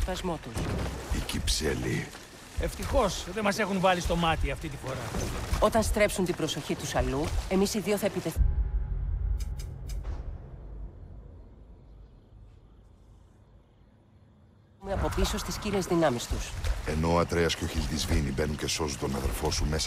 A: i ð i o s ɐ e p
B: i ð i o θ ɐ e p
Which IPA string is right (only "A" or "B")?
B